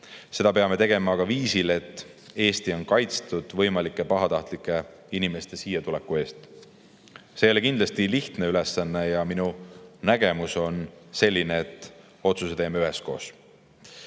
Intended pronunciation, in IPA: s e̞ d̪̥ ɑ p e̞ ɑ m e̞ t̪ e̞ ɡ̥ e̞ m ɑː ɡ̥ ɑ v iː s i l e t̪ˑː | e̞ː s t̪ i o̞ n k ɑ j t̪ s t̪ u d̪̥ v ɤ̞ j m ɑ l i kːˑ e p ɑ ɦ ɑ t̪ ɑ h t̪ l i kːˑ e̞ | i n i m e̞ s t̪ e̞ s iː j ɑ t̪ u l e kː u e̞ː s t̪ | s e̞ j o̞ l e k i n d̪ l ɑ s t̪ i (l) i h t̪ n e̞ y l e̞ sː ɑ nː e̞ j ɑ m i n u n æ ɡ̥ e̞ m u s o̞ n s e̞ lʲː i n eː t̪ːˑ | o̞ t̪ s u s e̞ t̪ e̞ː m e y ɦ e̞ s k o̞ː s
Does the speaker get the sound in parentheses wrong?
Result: no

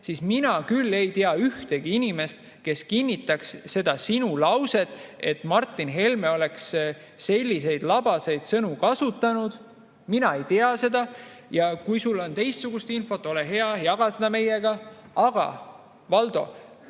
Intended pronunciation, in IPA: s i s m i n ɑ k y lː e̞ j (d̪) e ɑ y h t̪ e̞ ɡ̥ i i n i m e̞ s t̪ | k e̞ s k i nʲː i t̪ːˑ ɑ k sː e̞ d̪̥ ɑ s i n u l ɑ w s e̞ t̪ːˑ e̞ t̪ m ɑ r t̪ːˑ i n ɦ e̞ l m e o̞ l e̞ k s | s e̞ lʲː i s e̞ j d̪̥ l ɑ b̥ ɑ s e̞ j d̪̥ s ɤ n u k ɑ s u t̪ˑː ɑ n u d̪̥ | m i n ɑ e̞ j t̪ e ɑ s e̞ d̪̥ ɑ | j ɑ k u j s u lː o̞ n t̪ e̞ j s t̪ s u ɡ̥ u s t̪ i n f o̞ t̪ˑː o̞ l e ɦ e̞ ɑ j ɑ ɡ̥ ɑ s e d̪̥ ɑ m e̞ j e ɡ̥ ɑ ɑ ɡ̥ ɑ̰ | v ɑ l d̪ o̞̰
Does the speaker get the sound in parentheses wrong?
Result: yes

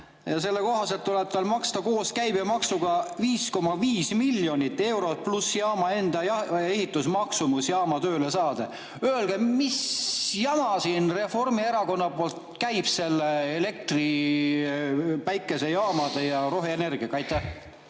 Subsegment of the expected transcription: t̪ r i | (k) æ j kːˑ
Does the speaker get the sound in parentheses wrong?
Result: yes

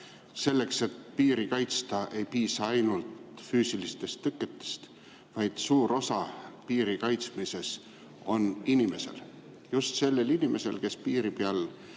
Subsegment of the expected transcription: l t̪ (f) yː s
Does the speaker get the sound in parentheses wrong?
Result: no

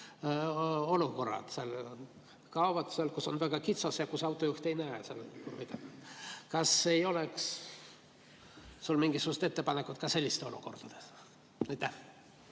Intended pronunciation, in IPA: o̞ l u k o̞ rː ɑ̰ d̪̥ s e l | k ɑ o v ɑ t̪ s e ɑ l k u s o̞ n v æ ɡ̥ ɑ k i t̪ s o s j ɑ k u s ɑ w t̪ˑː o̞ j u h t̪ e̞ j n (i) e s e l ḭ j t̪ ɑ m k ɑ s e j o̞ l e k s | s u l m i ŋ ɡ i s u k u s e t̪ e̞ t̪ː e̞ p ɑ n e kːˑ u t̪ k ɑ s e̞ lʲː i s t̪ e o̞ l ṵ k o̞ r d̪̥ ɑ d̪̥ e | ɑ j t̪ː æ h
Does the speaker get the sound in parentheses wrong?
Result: yes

